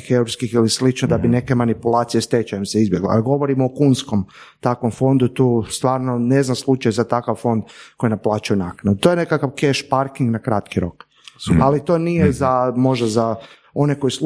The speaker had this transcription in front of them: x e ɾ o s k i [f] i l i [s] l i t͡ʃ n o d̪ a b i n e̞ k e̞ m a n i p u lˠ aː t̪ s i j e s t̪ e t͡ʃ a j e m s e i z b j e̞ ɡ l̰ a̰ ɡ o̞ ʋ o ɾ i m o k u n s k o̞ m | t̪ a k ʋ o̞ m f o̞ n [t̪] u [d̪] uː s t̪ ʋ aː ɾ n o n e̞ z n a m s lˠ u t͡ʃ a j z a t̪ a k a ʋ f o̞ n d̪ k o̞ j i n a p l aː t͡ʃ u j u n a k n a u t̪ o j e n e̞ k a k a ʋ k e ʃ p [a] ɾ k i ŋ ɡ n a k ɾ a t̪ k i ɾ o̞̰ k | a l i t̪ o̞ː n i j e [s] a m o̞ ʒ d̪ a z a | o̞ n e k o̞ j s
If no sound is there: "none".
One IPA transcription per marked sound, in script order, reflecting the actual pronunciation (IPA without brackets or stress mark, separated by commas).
x, s, d̪, t̪, a, z